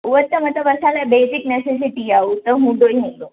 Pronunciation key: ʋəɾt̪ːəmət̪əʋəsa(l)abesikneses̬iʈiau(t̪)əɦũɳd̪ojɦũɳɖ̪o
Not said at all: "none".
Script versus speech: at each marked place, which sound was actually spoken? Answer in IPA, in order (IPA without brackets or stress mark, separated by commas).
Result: l, t̪